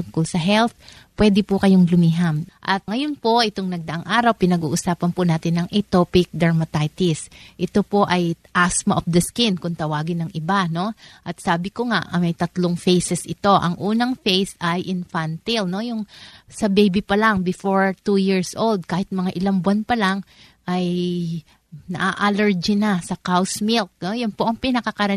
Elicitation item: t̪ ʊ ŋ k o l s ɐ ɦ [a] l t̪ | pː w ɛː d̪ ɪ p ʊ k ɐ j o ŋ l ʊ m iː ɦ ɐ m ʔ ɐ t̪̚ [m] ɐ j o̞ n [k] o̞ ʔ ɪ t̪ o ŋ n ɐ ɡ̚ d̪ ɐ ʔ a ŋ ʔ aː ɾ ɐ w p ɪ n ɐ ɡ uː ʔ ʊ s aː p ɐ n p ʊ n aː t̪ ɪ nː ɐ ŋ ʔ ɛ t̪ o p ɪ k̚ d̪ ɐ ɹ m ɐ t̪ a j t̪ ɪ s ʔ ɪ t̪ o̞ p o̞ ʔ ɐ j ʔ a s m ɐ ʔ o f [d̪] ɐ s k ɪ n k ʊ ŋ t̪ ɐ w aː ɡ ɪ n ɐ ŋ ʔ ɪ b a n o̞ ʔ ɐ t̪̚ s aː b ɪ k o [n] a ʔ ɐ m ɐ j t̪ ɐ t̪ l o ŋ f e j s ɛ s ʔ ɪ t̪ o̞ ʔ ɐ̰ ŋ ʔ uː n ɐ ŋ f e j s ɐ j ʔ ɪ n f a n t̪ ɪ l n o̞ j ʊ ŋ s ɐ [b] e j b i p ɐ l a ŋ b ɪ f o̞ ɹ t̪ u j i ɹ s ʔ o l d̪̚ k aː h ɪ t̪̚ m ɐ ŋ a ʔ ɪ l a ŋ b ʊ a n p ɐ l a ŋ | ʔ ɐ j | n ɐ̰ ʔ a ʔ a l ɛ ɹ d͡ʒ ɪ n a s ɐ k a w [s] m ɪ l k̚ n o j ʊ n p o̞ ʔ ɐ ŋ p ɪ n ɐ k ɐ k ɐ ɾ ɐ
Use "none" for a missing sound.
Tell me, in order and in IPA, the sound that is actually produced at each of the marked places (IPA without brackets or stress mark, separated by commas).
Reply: ɛ, ŋ, p, d̪, ŋ, b, s